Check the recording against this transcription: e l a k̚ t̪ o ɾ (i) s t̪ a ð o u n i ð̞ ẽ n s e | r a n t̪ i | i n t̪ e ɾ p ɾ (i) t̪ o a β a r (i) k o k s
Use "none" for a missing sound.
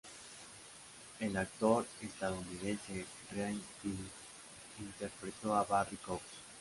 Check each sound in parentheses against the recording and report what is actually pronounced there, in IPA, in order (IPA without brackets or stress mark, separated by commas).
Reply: e, e, i